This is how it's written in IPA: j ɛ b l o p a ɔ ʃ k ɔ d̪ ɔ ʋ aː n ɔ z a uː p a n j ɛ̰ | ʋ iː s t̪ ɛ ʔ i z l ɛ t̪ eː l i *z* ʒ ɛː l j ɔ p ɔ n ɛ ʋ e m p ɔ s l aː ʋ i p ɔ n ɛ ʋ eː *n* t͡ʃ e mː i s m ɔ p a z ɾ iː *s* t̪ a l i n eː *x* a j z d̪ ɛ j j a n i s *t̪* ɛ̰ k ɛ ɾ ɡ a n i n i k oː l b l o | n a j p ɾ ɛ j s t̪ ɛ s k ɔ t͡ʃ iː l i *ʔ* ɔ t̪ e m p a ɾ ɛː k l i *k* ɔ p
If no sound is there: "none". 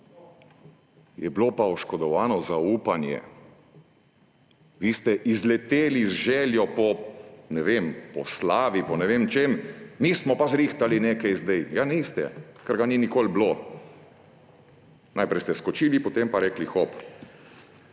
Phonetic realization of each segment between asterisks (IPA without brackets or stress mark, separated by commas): z, m, x, k, t̪, p, x